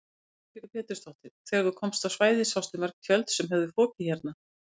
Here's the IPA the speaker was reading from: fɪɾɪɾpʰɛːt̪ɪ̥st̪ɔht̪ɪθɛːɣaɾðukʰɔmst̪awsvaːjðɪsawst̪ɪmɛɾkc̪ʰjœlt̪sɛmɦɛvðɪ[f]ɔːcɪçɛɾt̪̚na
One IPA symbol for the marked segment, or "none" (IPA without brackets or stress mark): f